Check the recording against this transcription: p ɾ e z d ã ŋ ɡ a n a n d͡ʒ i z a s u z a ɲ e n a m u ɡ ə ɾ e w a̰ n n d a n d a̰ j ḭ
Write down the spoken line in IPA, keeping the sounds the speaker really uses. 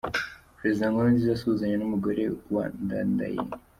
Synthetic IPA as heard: p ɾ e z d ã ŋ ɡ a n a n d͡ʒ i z a s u z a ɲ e n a m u ɡ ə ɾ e w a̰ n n d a n d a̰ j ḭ